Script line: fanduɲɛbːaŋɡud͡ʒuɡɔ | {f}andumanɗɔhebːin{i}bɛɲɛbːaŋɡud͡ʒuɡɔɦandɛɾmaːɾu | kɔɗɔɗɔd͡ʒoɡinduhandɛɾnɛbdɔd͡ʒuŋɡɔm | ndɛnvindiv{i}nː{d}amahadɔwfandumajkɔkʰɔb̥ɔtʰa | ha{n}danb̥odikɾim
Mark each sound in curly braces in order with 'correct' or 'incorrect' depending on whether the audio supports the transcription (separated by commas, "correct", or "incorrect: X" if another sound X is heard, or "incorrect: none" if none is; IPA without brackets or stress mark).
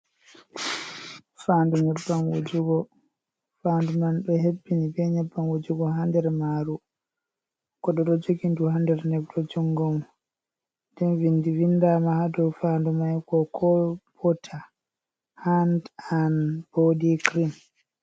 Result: correct, correct, correct, correct, correct